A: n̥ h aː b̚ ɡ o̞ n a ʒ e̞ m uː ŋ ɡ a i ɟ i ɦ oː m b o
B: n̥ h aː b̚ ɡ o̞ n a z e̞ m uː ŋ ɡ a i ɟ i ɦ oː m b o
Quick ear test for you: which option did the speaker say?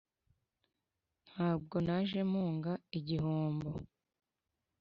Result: A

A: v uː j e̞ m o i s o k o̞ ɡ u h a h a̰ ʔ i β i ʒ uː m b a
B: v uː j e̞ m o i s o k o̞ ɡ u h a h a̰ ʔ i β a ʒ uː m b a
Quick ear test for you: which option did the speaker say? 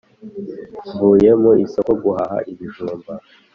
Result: A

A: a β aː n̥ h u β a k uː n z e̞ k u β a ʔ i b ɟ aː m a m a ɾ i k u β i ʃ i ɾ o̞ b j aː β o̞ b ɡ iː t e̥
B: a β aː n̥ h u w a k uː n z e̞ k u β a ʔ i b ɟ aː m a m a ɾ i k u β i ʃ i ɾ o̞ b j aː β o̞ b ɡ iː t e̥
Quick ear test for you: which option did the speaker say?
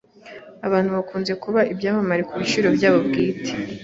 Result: A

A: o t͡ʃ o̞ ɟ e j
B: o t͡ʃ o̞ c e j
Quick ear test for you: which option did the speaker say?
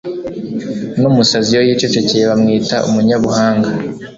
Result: B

